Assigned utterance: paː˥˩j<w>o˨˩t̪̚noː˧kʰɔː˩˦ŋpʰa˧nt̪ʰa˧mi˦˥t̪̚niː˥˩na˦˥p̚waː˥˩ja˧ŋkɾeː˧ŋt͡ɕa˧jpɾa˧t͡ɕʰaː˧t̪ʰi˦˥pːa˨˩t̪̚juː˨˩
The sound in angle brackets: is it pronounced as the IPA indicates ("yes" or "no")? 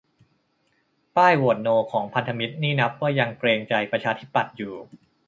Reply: yes